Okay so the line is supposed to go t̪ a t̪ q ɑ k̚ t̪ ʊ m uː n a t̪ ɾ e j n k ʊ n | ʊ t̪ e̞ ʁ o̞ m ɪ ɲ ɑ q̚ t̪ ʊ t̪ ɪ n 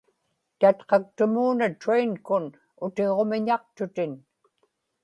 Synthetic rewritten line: t̪ a t̪ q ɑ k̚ t̪ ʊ m uː n a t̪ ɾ e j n k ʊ n | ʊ t̪ e̞ ʁ o̞ m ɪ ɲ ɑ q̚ t̪ ʊ t̪ ɪ n